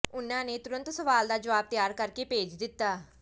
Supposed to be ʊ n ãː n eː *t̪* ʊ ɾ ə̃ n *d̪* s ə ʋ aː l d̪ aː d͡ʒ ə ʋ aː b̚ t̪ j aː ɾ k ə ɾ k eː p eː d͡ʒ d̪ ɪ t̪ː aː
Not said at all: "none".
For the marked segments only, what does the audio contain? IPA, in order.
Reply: t̪, t̪

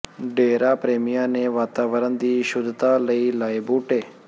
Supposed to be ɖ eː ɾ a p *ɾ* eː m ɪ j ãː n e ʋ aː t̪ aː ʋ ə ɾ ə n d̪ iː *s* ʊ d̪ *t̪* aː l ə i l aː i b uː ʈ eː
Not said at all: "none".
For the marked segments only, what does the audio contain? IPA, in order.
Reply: ɾ, ʃ, t̪

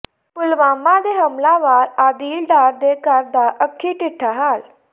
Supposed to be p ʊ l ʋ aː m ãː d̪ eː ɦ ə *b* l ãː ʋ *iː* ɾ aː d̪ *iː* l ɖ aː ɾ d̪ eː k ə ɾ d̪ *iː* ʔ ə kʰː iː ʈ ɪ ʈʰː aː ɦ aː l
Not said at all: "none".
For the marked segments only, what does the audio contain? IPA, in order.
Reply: m, aː, iː, aː

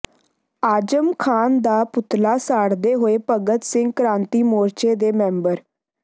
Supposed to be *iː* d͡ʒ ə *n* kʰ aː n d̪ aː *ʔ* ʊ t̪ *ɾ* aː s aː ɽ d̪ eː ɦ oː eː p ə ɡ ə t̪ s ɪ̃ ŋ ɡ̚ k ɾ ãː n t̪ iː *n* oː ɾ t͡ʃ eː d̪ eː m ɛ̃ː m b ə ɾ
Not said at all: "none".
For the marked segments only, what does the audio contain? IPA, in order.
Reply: aː, m, p, l, m

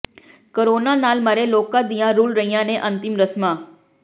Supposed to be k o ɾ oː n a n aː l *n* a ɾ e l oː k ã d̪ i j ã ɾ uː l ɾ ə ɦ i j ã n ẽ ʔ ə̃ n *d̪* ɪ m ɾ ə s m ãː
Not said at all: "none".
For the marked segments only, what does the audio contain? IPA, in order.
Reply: m, t̪

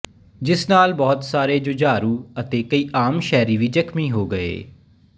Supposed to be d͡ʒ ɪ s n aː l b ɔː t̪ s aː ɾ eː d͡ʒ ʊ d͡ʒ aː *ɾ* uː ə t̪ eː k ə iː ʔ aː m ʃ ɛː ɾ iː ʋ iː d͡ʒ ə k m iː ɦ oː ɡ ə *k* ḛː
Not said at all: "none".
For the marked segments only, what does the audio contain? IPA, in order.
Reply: ɾ, none

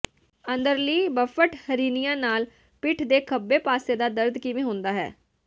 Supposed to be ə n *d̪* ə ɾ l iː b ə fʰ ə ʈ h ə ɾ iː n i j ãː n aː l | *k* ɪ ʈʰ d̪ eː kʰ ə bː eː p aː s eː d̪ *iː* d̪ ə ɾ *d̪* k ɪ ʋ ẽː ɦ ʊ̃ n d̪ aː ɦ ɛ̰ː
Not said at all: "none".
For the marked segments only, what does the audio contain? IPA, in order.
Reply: d̪, p, aː, d̪

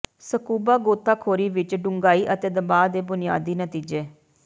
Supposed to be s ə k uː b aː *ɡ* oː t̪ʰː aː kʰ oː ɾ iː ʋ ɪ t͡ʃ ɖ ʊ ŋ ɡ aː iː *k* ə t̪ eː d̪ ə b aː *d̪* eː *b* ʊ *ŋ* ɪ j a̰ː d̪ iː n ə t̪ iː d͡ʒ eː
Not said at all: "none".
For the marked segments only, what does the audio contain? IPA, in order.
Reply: ɡ, ʔ, d̪, b, n

